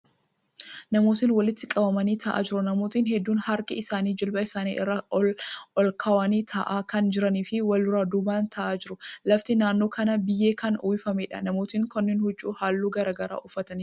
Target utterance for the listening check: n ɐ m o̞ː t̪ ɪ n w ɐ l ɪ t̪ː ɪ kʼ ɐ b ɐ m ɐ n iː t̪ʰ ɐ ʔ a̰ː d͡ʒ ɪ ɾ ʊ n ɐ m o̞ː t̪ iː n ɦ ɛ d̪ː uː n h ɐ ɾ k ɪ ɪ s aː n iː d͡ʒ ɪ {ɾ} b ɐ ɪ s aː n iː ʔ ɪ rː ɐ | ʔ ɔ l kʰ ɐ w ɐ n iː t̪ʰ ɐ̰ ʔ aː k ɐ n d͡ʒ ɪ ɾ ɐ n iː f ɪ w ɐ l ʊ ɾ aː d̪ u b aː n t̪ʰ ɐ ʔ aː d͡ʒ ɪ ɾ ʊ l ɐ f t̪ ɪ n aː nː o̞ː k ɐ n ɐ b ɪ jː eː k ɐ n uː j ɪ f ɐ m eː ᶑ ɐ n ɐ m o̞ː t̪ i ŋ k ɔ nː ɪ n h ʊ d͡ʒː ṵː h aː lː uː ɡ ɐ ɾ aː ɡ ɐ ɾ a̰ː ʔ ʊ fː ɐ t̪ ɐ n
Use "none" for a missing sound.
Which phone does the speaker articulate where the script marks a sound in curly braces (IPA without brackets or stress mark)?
l